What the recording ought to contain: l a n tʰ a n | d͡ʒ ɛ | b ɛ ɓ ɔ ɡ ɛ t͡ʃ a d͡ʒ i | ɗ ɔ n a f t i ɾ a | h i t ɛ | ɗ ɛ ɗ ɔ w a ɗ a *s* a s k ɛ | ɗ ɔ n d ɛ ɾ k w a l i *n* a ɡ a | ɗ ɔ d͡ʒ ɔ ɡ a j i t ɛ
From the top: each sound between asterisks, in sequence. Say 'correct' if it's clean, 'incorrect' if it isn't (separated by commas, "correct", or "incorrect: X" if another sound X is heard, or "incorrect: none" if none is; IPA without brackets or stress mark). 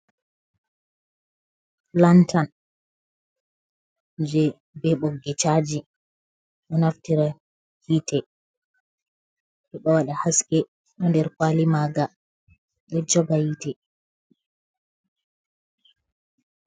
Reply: incorrect: h, incorrect: m